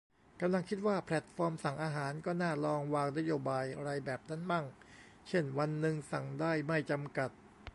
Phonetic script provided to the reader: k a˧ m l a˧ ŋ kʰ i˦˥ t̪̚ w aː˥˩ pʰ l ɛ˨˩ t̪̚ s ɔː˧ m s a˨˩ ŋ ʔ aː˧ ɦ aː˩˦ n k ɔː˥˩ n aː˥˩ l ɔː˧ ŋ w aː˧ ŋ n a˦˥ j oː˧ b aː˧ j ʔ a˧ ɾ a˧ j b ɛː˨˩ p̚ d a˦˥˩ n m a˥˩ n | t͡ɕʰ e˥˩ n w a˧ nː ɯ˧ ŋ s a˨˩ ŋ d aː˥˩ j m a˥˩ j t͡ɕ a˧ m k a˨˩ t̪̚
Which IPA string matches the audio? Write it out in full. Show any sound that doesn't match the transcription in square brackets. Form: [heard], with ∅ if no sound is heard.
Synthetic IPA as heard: k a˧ m l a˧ ŋ kʰ i˦˥ t̪̚ w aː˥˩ pʰ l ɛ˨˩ t̪̚ [f] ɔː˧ m s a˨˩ ŋ ʔ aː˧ ɦ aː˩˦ n k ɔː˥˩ n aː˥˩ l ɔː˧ ŋ w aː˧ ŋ n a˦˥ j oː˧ b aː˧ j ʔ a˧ ɾ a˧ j b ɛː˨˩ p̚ [n] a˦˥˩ n m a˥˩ [ŋ] | t͡ɕʰ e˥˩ n w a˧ nː ɯ˧ ŋ s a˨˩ ŋ d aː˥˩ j m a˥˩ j t͡ɕ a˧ m k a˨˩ t̪̚

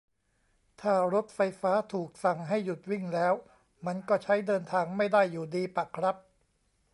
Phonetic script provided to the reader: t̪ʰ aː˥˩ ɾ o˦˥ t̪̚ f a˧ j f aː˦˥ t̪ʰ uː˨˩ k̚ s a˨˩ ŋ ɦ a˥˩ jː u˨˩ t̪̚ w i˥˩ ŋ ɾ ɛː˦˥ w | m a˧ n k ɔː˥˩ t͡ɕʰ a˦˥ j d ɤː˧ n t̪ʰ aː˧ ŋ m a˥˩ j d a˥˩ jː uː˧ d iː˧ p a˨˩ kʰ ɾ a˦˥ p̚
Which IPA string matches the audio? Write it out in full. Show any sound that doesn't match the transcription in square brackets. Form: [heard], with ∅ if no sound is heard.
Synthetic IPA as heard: t̪ʰ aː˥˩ ɾ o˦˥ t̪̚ f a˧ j f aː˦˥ t̪ʰ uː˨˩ k̚ s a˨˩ ŋ ɦ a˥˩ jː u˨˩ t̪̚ w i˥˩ ŋ [l] ɛː˦˥ w | m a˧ n k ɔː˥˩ t͡ɕʰ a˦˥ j d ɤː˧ n t̪ʰ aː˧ ŋ m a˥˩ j d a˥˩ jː [uː˨˩] d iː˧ p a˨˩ kʰ ɾ a˦˥ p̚

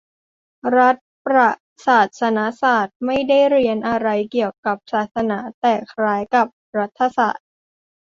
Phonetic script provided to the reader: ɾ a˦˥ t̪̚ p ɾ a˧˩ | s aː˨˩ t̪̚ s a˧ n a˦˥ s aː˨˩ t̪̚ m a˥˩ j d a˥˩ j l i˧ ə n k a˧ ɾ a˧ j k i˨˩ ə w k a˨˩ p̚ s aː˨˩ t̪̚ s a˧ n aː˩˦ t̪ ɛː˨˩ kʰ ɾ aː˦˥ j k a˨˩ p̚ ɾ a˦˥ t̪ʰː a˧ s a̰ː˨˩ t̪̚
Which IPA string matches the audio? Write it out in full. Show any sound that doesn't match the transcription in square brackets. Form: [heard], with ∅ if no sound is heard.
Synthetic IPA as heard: ɾ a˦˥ t̪̚ p ɾ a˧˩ | s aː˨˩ t̪̚ s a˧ n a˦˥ s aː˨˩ t̪̚ m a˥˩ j d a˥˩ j [ɾ] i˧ ə n [ʔ] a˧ ɾ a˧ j k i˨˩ ə w k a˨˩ p̚ s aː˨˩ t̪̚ s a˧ n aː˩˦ t̪ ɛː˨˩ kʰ ɾ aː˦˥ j k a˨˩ p̚ ɾ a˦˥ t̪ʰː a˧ s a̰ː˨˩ t̪̚

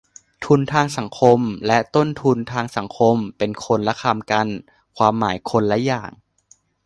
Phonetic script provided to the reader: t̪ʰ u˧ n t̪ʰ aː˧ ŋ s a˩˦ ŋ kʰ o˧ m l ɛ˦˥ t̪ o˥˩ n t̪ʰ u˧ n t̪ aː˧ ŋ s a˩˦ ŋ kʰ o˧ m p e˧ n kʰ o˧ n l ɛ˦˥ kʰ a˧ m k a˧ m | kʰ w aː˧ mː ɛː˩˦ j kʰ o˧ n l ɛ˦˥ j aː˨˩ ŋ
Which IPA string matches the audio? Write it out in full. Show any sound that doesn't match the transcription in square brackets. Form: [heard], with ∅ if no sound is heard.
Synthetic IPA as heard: t̪ʰ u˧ n t̪ʰ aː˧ ŋ s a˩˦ ŋ kʰ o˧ m l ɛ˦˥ t̪ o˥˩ n t̪ʰ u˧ n [t̪ʰ] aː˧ ŋ s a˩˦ ŋ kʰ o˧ m p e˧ n kʰ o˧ n l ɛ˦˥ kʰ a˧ m k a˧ [n] | kʰ w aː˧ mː [aː˩˦] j kʰ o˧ n l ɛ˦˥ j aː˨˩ ŋ

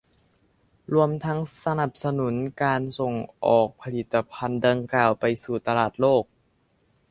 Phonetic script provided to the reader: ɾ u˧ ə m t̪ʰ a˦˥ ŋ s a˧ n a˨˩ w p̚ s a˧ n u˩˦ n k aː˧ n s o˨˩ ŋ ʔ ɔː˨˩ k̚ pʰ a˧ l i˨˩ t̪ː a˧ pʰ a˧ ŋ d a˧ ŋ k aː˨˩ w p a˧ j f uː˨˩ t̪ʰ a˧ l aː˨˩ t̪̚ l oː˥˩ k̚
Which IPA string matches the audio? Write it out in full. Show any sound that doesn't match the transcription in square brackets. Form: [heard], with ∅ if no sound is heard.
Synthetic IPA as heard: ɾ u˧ ə m t̪ʰ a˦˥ ŋ s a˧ n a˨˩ [∅] p̚ s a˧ n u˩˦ n k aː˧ n s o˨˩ ŋ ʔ ɔː˨˩ k̚ pʰ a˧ l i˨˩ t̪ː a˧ pʰ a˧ [n] d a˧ ŋ k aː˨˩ w p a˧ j [s] uː˨˩ [t̪] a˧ l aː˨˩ t̪̚ l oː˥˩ k̚

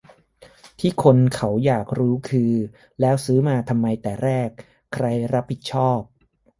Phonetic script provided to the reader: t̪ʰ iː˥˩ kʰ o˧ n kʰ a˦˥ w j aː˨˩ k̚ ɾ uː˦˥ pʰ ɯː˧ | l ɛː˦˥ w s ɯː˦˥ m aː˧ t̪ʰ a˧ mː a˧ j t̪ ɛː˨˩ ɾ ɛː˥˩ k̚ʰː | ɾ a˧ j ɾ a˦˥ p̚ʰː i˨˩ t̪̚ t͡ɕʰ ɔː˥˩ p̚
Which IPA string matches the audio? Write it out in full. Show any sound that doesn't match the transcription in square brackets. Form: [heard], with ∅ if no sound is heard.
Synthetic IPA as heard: t̪ʰ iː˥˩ kʰ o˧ n kʰ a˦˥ w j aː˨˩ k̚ ɾ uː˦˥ [kʰ] ɯː˧ | l ɛː˦˥ w s ɯː˦˥ m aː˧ t̪ʰ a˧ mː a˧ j t̪ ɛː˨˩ ɾ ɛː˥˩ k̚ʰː | ɾ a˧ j ɾ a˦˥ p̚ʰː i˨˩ t̪̚ t͡ɕʰ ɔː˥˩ p̚

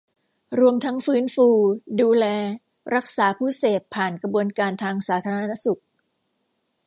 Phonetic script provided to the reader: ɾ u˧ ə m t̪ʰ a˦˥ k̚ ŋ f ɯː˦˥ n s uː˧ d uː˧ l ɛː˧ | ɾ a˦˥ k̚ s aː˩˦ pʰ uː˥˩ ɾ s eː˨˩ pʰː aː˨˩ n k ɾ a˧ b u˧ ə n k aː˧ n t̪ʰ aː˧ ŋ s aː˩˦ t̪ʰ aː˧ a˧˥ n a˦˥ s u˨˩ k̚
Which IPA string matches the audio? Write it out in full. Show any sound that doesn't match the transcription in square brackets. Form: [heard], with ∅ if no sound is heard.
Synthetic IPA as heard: ɾ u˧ ə m t̪ʰ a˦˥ [∅] ŋ f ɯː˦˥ n [f] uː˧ d uː˧ l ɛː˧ | ɾ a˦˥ k̚ s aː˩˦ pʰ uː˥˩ [∅] s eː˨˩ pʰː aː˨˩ n k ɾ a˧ b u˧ ə n k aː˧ n t̪ʰ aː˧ ŋ s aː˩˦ t̪ʰ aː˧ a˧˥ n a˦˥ s u˨˩ k̚

